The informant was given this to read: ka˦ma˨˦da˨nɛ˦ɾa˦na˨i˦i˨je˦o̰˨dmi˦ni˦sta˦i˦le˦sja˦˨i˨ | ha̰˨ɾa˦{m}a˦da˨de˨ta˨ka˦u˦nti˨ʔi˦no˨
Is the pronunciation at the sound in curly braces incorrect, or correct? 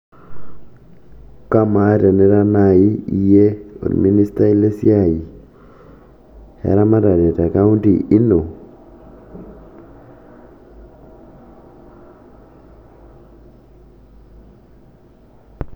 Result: correct